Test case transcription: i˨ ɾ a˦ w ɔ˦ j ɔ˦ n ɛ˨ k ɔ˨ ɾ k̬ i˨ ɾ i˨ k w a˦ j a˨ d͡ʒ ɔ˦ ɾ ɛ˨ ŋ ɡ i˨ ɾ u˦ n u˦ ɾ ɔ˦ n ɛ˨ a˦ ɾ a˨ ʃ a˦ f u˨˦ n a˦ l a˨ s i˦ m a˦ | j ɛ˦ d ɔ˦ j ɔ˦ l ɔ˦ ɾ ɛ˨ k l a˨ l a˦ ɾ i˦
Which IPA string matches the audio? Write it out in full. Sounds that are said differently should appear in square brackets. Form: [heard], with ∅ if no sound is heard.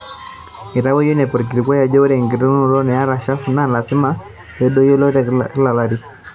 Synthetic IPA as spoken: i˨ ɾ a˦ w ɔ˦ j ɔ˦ n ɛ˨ [p] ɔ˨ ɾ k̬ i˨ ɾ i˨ k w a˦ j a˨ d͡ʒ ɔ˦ ɾ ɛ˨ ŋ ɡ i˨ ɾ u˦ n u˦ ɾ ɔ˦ n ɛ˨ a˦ ɾ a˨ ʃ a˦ f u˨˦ n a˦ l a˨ s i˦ m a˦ | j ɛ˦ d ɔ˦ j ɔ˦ l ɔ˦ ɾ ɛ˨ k l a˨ l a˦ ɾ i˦